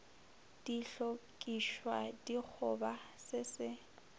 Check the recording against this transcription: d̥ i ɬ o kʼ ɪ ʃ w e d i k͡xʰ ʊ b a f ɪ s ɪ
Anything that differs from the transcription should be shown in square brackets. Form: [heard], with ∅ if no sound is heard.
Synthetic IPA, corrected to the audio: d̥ i ɬ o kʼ [i] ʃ w [a] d i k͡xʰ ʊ b a [s] ɪ s ɪ